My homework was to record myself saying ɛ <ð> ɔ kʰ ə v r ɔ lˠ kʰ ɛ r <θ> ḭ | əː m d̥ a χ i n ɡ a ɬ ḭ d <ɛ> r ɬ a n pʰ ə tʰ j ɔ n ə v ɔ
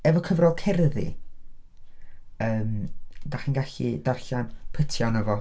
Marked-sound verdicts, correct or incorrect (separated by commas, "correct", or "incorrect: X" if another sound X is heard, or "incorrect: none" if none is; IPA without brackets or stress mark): incorrect: v, incorrect: ð, incorrect: a